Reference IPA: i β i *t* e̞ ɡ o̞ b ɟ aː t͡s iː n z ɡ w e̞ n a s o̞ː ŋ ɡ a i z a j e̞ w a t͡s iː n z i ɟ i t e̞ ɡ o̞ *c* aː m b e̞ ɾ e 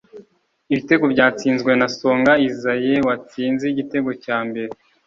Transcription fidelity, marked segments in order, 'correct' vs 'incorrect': correct, correct

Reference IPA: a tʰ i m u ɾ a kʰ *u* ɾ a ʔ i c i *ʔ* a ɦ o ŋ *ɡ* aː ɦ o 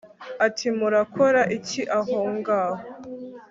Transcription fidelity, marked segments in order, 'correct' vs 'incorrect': incorrect: o, correct, correct

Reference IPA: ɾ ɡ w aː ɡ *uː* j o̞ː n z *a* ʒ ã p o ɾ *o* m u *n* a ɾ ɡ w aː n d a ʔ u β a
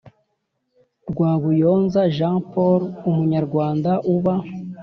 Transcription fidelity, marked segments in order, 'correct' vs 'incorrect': incorrect: u, correct, incorrect: u, incorrect: ɲ

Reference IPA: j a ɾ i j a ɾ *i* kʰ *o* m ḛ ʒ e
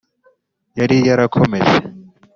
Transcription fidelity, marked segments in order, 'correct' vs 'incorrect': incorrect: a, correct

